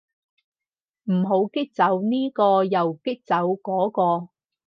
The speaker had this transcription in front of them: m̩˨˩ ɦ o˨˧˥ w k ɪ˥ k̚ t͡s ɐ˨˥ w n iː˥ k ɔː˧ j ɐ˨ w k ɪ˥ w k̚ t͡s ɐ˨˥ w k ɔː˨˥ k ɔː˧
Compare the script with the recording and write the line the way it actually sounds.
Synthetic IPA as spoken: m̩˨˩ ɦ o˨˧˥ w k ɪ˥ k̚ t͡s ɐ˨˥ w n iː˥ k ɔː˧ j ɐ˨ w k ɪ˥ k̚ t͡s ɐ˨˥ w k ɔː˨˥ k ɔː˧

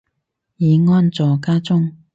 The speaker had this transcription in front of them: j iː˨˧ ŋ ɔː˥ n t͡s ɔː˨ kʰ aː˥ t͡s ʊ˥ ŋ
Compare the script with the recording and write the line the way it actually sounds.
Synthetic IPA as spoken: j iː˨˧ ŋ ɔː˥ n t͡s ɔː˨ k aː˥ t͡s ʊ˥ ŋ

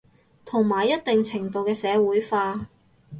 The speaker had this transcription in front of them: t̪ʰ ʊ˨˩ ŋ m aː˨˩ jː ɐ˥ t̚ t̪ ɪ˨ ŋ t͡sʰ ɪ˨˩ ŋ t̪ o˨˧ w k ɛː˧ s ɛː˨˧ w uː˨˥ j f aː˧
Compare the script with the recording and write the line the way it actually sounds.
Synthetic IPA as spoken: t̪ʰ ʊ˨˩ ŋ m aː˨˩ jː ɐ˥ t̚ t̪ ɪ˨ ŋ t͡sʰ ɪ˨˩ ŋ t̪ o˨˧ w k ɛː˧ s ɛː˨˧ w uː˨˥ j f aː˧

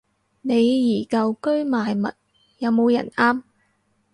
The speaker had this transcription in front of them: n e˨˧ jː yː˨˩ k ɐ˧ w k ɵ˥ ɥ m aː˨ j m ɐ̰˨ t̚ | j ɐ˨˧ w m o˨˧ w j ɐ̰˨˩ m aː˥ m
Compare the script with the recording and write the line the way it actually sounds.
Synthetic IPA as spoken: n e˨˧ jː iː˨˩ k ɐ˧ w k ɵ˥ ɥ m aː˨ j m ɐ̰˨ t̚ | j ɐ˨˧ w m o˨˧ w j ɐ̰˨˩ n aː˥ m

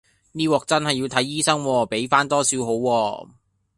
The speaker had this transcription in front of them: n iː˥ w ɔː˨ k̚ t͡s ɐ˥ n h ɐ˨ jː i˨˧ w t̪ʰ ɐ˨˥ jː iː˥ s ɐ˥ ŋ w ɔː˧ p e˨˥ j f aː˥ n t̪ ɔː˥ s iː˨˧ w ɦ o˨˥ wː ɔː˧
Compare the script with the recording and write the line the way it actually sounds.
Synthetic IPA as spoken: n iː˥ w ɔː˨ k̚ t͡s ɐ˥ n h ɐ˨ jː i˨˧ w t̪ʰ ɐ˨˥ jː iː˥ s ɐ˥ ŋ w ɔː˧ p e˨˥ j f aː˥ n t̪ ɔː˥ s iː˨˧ w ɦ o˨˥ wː ɔː˧

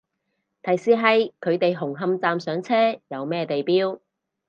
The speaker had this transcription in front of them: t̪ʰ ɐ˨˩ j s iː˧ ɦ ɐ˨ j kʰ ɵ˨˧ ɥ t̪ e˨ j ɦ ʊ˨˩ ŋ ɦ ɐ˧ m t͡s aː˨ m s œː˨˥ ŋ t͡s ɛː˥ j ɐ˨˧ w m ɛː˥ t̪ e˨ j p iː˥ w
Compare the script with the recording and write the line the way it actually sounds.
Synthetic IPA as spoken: t̪ʰ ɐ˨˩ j s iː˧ ɦ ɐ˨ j kʰ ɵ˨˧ ɥ t̪ e˨ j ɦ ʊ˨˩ ŋ ɦ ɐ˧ m t͡s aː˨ m s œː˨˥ ŋ t͡sʰ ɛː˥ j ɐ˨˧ w m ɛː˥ t̪ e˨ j p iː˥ w

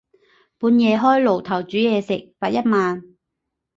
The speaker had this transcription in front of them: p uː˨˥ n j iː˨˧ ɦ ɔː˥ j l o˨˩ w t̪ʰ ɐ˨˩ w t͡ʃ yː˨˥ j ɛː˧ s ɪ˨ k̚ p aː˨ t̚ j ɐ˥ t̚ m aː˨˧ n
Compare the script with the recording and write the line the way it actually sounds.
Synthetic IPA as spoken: p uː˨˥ n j ɛː˨˧ ɦ ɔː˥ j l o˨˩ w t̪ʰ ɐ˨˩ w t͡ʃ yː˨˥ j ɛː˧ s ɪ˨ k̚ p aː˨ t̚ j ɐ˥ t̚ m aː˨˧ n

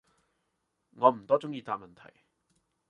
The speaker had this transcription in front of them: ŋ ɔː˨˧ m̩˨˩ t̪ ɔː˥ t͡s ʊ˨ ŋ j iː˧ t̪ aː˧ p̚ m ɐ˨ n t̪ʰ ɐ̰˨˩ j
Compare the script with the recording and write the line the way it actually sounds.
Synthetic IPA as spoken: ŋ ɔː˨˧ m̩˨˩ t̪ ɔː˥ t͡s ʊ˥ ŋ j iː˧ t̪ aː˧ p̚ m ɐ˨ n t̪ʰ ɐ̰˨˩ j

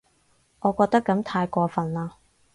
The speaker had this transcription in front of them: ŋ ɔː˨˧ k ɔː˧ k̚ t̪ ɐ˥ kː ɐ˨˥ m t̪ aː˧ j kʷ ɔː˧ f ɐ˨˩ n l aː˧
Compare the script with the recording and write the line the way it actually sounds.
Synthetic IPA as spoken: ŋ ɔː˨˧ k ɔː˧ k̚ t̪ ɐ˥ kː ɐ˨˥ m t̪ʰ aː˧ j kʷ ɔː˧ f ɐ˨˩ n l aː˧

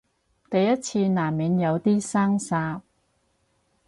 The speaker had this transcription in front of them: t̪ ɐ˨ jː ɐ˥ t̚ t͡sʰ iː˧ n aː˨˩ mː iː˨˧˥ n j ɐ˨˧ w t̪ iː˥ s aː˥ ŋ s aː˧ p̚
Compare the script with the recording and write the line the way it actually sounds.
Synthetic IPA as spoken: t̪ ɐ˨ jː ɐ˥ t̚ t͡sʰ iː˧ n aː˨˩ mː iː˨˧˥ n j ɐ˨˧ w t̪ iː˥ s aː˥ ŋ s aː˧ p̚

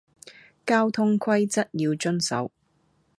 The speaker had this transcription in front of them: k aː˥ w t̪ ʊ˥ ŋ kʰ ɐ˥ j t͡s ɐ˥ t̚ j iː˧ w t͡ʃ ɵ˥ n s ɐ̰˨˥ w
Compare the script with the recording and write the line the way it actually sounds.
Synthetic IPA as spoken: k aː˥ w t̪ʰ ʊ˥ ŋ kʰ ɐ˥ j t͡s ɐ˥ t̚ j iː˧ w t͡ʃ ɵ˥ n s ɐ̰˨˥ w

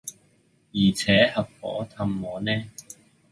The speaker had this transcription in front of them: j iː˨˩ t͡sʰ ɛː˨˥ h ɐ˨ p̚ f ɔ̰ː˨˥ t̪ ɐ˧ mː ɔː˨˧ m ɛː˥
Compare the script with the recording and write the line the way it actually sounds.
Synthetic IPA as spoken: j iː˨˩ t͡sʰ ɛː˨˥ h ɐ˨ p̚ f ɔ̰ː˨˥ t̪ʰ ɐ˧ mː ɔː˨˧ n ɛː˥

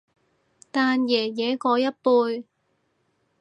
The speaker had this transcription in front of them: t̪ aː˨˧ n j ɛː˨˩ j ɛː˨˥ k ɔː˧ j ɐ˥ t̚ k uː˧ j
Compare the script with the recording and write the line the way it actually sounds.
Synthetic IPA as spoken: t̪ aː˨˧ n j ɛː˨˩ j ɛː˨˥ k ɔː˧ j ɐ˥ t̚ p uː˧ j

